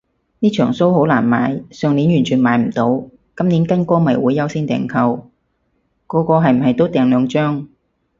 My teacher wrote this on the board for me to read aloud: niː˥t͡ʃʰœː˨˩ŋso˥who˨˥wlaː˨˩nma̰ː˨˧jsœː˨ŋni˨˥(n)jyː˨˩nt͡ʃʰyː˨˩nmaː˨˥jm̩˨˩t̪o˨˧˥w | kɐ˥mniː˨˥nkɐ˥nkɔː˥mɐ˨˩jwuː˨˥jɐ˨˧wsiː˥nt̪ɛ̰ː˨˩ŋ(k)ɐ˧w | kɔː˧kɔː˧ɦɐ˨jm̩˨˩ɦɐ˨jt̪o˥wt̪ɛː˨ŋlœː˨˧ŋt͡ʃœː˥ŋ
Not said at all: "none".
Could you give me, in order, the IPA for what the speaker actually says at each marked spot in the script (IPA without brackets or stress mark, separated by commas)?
n, kʰ